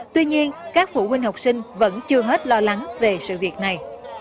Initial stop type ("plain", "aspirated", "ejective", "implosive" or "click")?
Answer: plain